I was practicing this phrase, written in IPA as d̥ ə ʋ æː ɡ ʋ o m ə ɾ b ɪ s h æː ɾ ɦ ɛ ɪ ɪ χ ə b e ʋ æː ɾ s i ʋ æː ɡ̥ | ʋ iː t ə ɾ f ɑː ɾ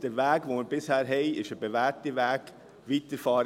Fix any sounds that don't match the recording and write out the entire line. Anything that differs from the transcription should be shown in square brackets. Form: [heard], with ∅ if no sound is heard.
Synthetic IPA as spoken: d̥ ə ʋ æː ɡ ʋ o m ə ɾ b ɪ s h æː ɾ ɦ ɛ ɪ ɪ [ʃ] ə b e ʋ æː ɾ [t] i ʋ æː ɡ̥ | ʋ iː t ə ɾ f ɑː ɾ